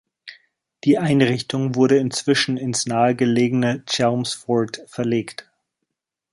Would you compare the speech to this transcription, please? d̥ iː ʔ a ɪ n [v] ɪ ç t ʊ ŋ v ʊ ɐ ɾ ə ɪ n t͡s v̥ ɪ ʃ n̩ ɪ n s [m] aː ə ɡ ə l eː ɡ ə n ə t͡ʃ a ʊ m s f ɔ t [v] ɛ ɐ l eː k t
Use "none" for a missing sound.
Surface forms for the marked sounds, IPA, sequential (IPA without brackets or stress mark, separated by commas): ʁ, n, f